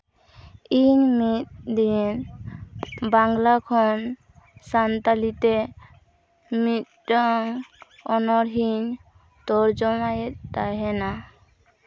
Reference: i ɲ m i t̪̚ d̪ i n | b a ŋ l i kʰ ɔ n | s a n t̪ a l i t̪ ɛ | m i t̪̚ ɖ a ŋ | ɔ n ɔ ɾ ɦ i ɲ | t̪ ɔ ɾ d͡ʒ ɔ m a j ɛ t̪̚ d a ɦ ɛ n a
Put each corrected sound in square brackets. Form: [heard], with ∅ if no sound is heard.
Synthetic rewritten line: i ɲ m i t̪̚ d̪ i n | b a ŋ l [a] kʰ ɔ n | s a n t̪ a l i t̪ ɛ | m i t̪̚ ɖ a ŋ | ɔ n ɔ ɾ ɦ i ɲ | t̪ ɔ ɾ d͡ʒ ɔ m a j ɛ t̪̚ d a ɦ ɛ n a